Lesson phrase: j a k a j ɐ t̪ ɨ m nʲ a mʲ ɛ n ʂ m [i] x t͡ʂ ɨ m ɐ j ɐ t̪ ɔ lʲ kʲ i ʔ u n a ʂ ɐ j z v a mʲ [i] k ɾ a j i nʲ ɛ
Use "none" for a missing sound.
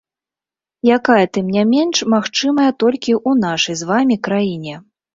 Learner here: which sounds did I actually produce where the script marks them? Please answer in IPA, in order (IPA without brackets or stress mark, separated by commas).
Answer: a, i